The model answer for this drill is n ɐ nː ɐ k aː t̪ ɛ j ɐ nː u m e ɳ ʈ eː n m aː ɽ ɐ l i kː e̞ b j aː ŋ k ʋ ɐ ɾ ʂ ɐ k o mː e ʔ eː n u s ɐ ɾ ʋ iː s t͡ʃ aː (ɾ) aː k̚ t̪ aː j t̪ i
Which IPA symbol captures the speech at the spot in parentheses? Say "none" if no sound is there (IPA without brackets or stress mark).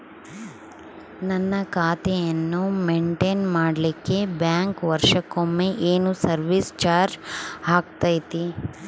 ɾ